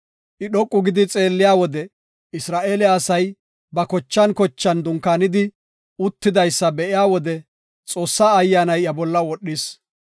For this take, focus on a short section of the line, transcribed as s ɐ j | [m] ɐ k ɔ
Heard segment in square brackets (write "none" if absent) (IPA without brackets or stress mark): b